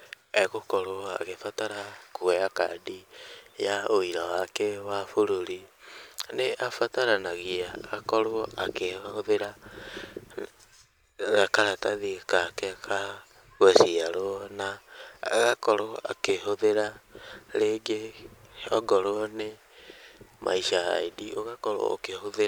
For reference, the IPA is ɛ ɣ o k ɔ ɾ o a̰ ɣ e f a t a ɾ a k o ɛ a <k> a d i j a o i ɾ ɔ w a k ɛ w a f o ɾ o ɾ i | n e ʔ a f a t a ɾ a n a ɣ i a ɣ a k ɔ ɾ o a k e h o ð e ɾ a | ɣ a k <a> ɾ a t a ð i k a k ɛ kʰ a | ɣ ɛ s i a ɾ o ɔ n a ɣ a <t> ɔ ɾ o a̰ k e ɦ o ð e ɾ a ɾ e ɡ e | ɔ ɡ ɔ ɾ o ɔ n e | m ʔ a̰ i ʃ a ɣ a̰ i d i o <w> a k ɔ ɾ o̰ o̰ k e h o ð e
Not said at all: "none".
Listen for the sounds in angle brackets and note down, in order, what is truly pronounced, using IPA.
k, a, k, ɣ

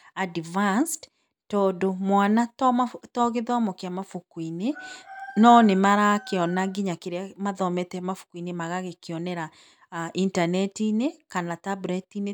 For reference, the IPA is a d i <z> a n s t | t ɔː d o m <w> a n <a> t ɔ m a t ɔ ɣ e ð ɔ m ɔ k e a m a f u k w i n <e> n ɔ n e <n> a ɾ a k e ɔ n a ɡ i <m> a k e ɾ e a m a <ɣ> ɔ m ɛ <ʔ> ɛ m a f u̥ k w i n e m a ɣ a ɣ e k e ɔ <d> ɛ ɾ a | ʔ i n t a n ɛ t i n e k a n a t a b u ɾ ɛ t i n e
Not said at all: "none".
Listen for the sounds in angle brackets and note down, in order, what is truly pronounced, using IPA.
v, w, a, e, m, ɲ, ð, t, n

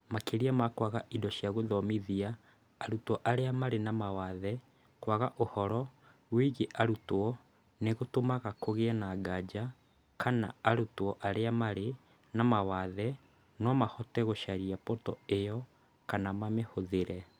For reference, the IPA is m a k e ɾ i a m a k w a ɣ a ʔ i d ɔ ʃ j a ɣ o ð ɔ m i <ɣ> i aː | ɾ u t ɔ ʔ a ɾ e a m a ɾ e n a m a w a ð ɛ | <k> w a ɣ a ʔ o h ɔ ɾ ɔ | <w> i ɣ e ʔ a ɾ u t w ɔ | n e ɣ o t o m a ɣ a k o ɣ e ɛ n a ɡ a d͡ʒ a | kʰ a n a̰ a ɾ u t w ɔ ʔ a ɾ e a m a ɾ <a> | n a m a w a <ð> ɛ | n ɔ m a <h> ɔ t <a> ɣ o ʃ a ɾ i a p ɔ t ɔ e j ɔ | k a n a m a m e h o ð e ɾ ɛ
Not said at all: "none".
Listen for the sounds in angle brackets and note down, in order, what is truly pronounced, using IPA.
ð, k, w, e, ð, h, ɛ

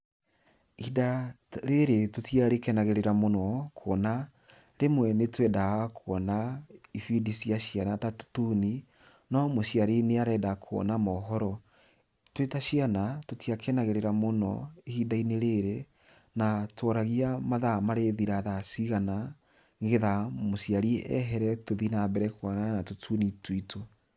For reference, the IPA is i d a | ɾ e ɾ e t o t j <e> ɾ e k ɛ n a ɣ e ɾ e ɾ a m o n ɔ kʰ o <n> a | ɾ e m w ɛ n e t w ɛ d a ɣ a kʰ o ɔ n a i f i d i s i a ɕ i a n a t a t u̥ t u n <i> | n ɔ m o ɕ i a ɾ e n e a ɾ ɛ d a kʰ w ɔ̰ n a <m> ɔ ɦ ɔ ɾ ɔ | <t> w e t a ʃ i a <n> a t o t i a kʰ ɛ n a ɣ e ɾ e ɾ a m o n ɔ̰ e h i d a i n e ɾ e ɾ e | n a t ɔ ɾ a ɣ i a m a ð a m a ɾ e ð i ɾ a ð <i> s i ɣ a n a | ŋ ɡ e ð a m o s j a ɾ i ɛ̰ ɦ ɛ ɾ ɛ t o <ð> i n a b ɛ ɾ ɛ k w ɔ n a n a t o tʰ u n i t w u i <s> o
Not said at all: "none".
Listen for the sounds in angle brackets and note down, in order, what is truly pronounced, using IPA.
a, n, i, m, t, n, a, ð, t

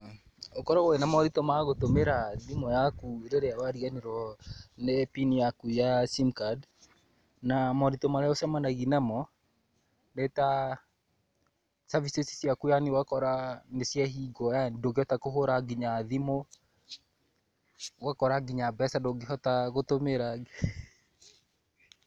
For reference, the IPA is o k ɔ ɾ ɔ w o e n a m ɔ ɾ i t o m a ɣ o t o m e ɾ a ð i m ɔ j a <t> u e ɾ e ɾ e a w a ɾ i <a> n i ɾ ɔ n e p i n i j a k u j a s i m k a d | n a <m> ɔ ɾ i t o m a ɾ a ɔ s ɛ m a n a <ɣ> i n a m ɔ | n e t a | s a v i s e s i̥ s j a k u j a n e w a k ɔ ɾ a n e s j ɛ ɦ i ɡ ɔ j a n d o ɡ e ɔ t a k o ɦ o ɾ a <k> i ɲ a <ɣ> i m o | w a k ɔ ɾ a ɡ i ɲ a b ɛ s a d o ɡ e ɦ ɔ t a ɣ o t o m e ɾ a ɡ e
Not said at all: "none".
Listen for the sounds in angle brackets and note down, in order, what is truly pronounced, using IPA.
k, a, m, ɣ, ɡ, ð

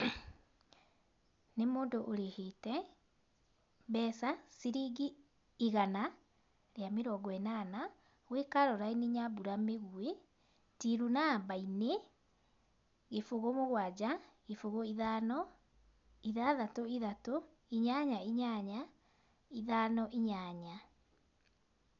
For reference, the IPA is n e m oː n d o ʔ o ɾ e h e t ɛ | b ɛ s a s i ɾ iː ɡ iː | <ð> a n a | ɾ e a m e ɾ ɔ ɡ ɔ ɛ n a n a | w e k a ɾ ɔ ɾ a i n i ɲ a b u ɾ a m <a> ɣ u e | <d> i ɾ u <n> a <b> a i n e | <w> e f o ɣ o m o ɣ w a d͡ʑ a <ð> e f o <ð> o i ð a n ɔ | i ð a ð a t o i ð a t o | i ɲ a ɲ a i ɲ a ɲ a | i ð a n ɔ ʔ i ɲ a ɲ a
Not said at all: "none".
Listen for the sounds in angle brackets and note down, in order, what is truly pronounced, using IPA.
ɣ, e, t, n, b, ɣ, ɣ, ɣ

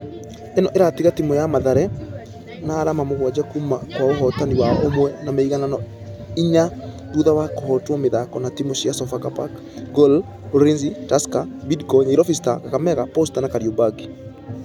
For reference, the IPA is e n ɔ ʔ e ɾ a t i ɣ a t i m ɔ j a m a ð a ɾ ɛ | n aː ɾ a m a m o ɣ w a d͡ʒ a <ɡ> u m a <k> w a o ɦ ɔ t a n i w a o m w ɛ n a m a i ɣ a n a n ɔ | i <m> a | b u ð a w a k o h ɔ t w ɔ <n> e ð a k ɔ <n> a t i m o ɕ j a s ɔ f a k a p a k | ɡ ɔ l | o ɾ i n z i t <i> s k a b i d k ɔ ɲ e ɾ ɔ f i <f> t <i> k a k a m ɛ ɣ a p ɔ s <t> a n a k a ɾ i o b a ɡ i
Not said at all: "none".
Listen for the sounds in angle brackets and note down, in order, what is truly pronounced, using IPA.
k, k, ɲ, m, n, a, s, a, t

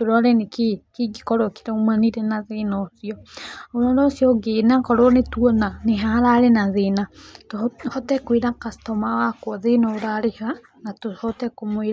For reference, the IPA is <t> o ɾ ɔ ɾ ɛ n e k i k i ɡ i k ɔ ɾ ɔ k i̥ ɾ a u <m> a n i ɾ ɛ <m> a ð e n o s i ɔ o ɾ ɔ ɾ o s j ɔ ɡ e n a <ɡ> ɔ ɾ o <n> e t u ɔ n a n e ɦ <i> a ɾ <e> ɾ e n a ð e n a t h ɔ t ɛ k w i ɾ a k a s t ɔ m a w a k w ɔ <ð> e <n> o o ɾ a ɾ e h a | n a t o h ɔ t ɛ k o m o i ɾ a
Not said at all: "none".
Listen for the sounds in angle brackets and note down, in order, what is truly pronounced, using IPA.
t, m, n, k, n, a, a, ð, n

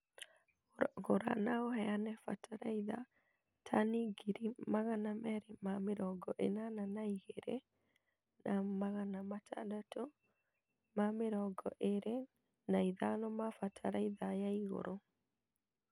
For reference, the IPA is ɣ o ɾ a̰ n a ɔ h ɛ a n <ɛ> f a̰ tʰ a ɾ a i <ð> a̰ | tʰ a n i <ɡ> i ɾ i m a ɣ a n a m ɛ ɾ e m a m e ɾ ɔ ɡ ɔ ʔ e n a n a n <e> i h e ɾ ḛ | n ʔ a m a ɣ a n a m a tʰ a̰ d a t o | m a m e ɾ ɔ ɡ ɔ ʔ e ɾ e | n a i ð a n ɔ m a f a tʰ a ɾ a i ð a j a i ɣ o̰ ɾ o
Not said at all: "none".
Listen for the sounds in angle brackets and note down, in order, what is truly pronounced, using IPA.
ɛ, ð, ɡ, a

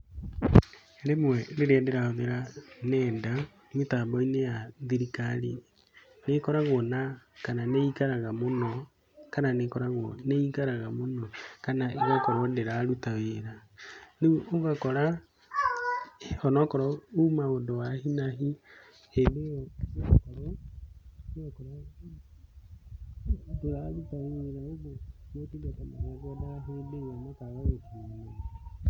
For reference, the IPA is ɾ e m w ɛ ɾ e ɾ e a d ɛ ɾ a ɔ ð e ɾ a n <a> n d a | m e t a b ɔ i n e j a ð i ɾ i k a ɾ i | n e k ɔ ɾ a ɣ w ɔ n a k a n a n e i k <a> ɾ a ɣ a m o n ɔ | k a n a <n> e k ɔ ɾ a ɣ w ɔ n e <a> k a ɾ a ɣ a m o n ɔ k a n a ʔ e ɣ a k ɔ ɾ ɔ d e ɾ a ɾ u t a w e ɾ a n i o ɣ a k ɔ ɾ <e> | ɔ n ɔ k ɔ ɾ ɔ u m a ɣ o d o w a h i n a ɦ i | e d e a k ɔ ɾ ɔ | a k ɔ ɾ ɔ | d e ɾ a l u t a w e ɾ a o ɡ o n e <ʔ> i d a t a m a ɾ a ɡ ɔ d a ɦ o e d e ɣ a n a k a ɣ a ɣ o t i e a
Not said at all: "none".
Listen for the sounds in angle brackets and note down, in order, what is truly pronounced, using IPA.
ɛ, a, n, i, a, t

